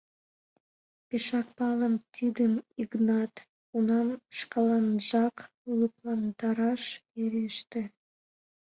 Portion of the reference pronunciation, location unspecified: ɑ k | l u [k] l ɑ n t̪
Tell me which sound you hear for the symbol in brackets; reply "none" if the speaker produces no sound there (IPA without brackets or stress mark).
p